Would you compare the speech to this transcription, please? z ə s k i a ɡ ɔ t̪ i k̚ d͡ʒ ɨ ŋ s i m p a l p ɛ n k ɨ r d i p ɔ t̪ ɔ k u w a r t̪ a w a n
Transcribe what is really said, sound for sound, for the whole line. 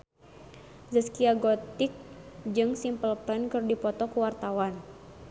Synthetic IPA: z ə s k i a ɡ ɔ t̪ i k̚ d͡ʒ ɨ ŋ s i m p ə l p ɛ n k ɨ r d i p ɔ t̪ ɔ k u w a r t̪ a w a n